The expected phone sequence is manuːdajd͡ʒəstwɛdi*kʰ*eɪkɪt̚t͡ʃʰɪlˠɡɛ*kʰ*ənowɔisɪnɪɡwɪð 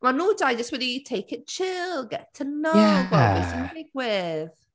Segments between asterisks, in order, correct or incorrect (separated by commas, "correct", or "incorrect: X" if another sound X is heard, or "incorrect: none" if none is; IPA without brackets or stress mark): incorrect: tʰ, incorrect: tʰ